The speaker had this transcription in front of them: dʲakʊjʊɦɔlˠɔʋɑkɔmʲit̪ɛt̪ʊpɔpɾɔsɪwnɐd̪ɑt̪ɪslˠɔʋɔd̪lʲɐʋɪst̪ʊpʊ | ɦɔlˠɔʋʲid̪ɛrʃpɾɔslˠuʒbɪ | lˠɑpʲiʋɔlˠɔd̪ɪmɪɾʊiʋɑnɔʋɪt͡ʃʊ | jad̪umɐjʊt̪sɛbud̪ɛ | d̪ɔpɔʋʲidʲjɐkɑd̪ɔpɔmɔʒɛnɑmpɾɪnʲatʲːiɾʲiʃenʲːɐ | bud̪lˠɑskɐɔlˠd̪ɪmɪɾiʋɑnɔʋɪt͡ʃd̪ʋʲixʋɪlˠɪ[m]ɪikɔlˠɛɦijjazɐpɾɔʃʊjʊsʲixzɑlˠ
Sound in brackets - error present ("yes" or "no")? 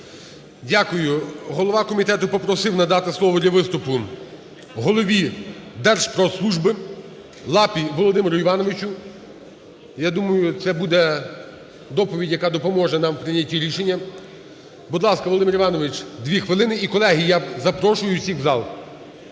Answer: yes